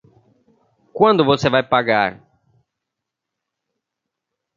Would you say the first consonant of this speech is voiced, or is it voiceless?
voiceless